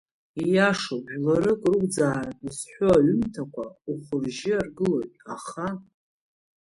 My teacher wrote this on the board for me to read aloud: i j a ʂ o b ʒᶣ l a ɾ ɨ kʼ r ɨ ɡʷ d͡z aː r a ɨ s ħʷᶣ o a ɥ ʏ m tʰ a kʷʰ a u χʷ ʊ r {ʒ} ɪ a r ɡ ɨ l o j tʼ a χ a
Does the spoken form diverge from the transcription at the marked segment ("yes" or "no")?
no